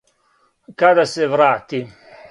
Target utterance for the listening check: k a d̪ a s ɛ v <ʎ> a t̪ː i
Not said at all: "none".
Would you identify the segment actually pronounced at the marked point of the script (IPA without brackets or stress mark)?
ɾ